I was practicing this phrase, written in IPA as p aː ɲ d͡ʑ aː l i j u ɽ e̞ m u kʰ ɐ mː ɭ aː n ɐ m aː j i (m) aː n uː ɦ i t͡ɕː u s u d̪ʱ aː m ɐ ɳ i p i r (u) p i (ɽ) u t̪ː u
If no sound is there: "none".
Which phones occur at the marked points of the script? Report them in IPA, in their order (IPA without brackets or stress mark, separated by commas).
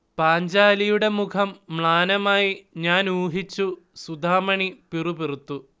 ɲ, u, r